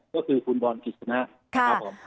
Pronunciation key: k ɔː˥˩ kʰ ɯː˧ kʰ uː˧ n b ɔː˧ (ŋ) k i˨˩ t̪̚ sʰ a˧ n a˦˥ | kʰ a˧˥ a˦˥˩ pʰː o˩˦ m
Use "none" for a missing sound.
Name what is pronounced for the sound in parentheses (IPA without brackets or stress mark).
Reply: n